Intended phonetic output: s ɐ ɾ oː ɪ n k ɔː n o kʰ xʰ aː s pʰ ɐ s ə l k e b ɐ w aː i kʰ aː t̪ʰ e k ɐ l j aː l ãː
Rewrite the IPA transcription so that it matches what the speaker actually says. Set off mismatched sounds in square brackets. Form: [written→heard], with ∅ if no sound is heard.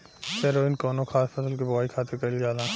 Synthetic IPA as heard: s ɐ ɾ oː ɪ n k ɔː n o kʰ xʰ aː s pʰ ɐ s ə l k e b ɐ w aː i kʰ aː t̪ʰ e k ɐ l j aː l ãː